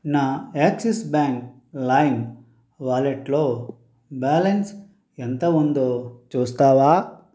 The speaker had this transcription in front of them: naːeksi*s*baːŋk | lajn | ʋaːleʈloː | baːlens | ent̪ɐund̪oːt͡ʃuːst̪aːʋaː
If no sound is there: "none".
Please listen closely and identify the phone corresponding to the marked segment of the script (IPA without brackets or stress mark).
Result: s